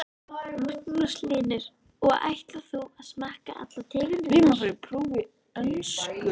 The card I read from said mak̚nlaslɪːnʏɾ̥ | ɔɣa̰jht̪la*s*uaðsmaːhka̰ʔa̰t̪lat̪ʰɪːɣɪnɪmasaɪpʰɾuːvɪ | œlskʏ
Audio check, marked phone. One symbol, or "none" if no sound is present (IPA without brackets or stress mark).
θ